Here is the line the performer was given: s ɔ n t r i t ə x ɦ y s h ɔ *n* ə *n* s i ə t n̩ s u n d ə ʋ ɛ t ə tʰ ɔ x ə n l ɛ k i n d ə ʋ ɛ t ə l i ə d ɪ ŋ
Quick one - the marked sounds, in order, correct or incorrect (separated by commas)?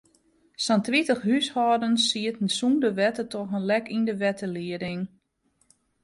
incorrect, correct